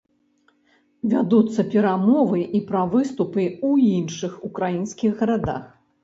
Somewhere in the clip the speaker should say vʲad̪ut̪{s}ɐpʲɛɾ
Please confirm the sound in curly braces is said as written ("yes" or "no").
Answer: no